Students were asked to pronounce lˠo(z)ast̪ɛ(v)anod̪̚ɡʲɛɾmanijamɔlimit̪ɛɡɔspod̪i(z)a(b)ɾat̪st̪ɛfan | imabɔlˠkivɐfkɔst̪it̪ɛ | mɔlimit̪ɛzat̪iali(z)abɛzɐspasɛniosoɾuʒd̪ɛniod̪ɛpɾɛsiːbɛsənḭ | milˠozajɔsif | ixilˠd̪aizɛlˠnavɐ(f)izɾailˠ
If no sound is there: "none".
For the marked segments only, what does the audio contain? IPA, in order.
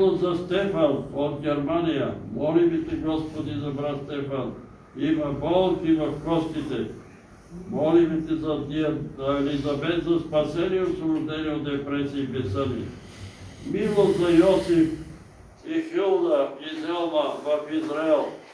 z, f, z, b, z, f

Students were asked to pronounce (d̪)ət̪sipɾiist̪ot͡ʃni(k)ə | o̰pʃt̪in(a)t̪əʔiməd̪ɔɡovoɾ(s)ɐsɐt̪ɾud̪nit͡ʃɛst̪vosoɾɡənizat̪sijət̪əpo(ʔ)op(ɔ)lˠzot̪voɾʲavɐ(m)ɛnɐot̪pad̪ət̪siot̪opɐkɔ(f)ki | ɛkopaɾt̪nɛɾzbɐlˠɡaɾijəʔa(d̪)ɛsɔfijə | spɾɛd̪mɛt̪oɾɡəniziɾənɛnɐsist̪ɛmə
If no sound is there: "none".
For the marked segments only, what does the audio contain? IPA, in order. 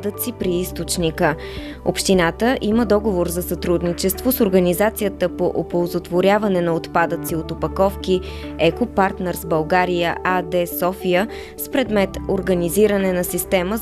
d̪, k, a, z, ʔ, o, n, f, d̪

